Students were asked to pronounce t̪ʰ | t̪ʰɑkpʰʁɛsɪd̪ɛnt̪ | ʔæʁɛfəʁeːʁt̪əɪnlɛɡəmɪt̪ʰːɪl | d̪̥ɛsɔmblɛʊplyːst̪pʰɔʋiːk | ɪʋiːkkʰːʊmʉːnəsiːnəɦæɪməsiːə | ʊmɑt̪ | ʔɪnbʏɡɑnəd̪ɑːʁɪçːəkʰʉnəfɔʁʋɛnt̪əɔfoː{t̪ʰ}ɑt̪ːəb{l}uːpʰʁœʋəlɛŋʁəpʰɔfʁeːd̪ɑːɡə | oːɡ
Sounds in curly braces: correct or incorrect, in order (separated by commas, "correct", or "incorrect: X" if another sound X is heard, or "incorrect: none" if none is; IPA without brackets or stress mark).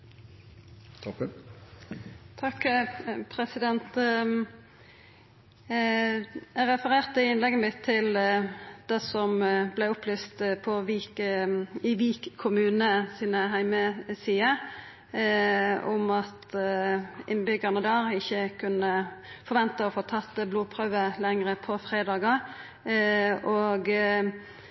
correct, correct